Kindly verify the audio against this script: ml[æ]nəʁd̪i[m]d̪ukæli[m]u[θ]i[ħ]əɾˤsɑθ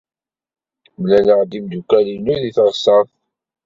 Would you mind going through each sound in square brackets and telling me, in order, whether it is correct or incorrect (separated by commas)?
correct, correct, incorrect, incorrect, incorrect